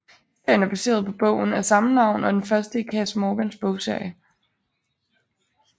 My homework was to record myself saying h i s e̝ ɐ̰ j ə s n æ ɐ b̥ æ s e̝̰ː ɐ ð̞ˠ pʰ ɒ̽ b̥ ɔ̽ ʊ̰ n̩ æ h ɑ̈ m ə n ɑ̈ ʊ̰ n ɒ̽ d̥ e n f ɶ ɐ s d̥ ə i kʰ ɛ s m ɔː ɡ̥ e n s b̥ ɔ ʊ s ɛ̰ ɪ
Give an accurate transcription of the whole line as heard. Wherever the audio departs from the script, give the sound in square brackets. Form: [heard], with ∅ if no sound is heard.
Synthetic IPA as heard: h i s e̝ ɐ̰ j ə [∅] n æ ɐ b̥ æ s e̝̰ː ɐ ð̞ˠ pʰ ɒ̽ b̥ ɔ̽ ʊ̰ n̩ æ [s] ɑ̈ m ə n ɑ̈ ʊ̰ n ɒ̽ d̥ e n f ɶ ɐ s d̥ ə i kʰ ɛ s m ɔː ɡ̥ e n s b̥ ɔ ʊ s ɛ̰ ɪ